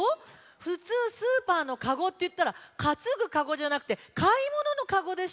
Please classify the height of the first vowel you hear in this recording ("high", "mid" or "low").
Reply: high